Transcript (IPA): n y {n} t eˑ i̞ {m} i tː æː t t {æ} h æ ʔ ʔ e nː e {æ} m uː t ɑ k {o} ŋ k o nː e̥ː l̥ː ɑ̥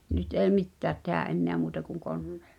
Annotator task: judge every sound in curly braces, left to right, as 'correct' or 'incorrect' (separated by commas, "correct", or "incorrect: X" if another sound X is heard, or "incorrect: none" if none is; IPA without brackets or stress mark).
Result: incorrect: none, correct, incorrect: e, correct, incorrect: u